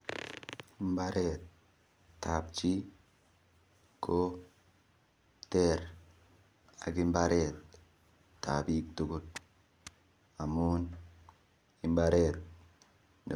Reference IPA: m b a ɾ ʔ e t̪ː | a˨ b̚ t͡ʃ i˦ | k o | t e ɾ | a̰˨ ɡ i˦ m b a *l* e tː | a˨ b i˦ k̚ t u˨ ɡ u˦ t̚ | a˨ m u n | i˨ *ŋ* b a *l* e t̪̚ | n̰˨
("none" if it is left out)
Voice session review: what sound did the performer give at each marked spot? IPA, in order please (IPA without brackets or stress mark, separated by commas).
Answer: ɾ, m, ɾ